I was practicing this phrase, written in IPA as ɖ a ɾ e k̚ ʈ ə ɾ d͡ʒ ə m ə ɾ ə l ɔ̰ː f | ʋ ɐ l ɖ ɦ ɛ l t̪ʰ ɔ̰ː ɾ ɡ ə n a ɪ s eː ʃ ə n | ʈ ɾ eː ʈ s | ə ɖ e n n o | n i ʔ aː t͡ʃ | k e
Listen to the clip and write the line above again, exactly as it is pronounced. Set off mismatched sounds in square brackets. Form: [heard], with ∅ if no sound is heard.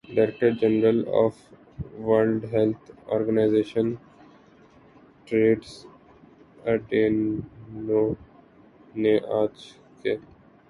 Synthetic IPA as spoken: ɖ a ɾ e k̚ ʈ ə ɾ d͡ʒ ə [n] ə ɾ ə l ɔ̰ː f | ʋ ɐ l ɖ ɦ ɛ l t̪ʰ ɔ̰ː ɾ ɡ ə n a ɪ [z] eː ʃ ə n | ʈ ɾ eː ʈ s | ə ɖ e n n o | n [e] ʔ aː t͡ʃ | k e